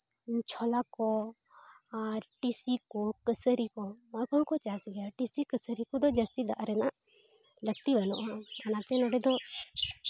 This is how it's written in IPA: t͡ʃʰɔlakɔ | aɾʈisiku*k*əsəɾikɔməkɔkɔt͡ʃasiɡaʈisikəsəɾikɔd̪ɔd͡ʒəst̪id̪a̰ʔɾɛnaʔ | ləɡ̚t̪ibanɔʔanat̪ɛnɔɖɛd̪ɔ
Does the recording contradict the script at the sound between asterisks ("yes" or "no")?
no